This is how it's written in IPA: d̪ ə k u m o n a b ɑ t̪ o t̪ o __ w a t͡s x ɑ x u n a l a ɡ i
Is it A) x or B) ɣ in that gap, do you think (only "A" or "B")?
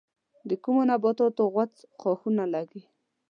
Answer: B